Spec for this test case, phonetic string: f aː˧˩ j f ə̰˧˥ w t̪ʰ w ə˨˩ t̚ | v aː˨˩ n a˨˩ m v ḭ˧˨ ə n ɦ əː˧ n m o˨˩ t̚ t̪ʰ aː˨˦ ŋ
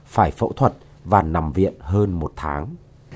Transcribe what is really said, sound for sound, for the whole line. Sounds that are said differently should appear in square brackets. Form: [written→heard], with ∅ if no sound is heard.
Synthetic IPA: f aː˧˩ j f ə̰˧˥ w t̪ʰ w ə˨˩ t̚ | v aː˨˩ n a˨˩ m v ḭ˧˨ ə n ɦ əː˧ n m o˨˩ t̚ t̪ʰ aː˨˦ ŋ

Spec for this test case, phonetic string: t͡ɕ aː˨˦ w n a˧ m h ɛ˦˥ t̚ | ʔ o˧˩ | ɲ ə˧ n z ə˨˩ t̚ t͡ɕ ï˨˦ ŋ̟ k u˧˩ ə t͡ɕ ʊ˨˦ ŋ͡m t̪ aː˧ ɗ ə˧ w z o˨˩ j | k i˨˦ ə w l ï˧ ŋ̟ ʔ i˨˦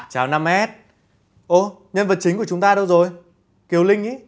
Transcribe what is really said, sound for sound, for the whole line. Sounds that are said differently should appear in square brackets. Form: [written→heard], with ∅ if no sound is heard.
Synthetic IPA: t͡ɕ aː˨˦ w n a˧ m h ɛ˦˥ t̚ | ʔ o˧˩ | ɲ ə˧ n [z→v] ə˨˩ t̚ t͡ɕ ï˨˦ ŋ̟ k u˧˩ ə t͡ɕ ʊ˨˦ ŋ͡m t̪ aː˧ ɗ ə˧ w z o˨˩ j | k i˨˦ ə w l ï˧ ŋ̟ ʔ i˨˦

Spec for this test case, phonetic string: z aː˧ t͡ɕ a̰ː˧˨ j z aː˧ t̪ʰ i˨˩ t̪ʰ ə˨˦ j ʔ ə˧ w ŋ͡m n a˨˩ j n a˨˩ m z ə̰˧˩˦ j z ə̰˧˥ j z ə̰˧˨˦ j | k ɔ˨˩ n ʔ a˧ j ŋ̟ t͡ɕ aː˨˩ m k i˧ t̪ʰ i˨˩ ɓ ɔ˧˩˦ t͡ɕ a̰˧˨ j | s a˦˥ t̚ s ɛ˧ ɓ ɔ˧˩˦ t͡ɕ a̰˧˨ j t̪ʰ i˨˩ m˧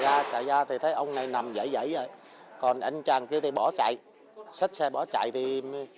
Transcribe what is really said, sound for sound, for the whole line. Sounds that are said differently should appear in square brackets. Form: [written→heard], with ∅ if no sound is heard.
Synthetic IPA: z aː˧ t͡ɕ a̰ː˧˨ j z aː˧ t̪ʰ i˨˩ t̪ʰ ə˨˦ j ʔ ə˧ w ŋ͡m n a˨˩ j n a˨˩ m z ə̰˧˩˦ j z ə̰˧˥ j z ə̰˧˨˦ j | k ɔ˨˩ n ʔ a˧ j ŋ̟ t͡ɕ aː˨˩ [m→ŋ] k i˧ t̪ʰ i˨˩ ɓ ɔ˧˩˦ t͡ɕ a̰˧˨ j | s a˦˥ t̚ s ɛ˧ ɓ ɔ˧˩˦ t͡ɕ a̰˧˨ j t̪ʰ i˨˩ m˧

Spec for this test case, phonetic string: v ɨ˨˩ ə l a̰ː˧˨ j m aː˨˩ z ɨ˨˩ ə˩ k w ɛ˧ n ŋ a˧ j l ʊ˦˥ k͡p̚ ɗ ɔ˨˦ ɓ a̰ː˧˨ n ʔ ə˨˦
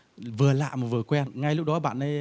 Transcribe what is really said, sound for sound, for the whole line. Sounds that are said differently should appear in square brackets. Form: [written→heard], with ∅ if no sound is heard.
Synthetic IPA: v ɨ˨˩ ə l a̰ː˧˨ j m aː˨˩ [z→v] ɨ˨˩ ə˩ k w ɛ˧ n ŋ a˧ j l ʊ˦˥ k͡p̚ ɗ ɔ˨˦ ɓ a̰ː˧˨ n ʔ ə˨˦

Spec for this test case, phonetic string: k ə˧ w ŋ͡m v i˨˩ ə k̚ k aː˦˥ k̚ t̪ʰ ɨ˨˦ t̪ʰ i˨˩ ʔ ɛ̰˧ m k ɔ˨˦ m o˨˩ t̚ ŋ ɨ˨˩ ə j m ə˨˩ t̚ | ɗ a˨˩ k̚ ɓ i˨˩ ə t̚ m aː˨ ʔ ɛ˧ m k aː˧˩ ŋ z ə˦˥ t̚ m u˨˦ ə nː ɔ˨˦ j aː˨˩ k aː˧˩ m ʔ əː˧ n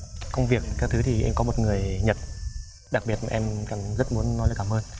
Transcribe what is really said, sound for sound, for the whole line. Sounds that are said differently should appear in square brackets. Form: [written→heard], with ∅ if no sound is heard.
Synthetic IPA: k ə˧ w ŋ͡m v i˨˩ ə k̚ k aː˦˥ k̚ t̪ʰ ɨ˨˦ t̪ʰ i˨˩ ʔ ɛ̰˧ m k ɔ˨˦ m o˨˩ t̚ ŋ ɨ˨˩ ə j [m→ɲ] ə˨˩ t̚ | ɗ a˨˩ k̚ ɓ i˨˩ ə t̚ m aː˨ ʔ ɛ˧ m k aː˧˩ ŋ z ə˦˥ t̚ m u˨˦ ə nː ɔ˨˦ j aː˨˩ k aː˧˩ m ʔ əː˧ n

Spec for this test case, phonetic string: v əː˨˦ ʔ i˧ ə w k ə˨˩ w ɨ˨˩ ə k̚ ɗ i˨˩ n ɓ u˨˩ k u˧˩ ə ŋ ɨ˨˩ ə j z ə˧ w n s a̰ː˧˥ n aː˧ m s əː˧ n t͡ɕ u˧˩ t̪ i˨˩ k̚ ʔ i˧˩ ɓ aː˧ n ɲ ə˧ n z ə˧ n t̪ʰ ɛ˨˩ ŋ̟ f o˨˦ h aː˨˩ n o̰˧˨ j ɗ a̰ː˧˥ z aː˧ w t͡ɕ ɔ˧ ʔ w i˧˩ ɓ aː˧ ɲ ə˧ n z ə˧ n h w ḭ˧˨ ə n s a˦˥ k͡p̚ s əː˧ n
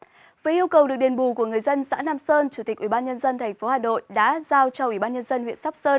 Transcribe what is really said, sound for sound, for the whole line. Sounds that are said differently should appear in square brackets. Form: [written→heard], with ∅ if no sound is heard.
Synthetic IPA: v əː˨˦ ʔ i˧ ə w k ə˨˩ w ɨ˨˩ ə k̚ ɗ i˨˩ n ɓ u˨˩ k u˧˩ ə ŋ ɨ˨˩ ə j z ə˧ [w→∅] n s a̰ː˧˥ n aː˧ m s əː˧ n t͡ɕ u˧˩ t̪ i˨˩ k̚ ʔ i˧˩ ɓ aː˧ n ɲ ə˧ n z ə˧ n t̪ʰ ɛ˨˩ ŋ̟ f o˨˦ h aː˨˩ n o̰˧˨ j ɗ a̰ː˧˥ z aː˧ w t͡ɕ ɔ˧ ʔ w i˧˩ ɓ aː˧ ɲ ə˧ n z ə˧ n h w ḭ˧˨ ə n s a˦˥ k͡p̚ s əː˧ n

